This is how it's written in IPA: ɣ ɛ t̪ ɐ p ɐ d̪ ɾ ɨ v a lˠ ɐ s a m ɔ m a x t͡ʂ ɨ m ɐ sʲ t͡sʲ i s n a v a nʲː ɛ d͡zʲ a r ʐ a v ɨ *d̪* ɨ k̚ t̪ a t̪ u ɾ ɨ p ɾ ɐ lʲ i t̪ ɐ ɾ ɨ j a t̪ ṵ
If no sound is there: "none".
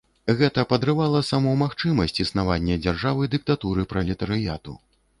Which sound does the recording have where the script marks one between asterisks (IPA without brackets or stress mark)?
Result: d̪